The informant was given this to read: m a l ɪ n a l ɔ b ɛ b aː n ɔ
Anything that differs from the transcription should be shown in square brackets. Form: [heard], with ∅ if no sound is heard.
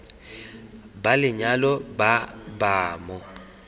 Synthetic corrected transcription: [b] a l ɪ [ɲ] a l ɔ b [a] b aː [m] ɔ